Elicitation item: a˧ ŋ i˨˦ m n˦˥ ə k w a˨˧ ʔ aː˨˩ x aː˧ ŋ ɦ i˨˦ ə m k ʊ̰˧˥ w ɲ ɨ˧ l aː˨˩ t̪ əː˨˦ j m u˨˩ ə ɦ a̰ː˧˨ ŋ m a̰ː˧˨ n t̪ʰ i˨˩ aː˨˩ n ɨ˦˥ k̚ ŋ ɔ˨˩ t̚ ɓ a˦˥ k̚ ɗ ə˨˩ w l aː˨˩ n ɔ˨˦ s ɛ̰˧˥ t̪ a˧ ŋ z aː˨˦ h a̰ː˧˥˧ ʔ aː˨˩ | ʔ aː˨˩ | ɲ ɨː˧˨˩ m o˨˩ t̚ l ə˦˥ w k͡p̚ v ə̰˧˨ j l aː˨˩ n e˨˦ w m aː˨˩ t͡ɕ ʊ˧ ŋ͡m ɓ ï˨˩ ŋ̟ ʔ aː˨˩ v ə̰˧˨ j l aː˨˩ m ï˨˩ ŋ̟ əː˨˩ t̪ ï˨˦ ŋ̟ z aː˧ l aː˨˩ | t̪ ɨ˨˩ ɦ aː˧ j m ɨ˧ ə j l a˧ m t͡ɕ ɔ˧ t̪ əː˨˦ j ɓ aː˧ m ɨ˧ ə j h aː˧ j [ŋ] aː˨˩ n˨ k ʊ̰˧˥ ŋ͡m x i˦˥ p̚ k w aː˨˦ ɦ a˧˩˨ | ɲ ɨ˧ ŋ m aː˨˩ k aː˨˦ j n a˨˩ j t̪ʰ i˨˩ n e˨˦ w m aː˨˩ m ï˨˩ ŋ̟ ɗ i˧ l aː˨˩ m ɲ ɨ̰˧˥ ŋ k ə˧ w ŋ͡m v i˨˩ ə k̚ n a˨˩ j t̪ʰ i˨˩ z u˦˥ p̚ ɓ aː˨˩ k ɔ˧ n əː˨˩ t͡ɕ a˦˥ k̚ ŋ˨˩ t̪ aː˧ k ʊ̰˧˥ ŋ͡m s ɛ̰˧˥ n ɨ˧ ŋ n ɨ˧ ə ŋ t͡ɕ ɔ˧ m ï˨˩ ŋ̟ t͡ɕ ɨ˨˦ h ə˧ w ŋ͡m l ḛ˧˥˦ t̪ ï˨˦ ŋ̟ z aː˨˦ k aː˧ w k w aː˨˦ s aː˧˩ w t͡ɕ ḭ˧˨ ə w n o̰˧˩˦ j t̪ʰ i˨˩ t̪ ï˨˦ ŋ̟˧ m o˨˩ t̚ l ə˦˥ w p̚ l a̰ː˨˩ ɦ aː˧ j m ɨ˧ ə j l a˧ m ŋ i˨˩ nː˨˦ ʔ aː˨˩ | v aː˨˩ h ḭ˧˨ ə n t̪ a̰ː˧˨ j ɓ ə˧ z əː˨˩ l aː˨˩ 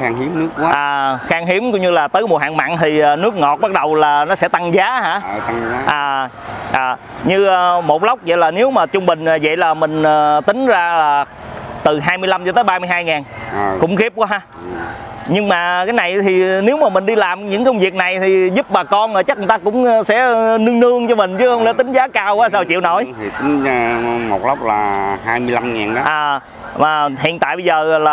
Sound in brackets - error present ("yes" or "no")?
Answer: no